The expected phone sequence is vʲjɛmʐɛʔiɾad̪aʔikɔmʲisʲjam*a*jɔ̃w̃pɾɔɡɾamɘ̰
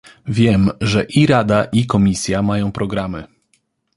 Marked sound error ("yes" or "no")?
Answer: no